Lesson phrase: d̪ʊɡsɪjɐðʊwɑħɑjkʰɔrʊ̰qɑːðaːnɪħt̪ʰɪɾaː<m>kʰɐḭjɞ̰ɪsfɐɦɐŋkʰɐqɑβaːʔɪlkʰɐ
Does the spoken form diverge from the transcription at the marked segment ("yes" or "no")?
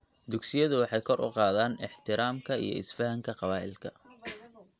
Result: no